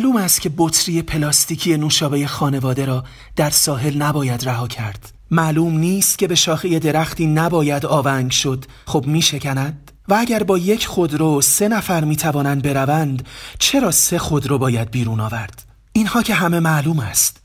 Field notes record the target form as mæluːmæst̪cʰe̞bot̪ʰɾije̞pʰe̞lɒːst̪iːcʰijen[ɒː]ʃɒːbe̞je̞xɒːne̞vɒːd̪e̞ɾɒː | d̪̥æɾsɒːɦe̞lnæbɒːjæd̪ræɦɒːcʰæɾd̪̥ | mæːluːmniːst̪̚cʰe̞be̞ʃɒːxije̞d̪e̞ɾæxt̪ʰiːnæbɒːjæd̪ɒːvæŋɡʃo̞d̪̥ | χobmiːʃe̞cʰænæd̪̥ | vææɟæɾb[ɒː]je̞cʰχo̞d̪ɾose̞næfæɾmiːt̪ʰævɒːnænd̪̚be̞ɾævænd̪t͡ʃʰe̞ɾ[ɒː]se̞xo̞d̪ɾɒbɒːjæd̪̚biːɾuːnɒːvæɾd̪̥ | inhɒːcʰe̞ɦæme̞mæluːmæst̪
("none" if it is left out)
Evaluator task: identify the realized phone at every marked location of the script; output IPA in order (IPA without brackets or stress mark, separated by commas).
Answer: uː, ɒː, ɒː